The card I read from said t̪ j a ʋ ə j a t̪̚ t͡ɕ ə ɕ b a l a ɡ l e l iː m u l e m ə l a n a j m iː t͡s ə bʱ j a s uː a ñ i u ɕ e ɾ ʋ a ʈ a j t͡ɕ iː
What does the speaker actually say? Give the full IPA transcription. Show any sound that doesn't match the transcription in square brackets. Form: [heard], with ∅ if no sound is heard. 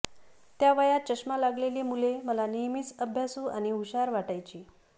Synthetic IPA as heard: t̪ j a ʋ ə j a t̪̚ t͡ɕ ə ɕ [m] a l a ɡ l e l iː m u l e m ə l a n [i] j m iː t͡s ə bʱ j a s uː a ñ i u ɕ [a] ɾ ʋ a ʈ a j t͡ɕ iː